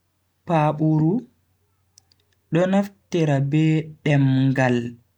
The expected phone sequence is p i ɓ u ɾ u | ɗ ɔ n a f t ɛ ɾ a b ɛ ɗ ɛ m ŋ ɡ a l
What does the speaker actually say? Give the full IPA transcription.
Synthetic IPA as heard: p a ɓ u ɾ u | ɗ ɔ n a f t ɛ ɾ a b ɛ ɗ ɛ m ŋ ɡ a l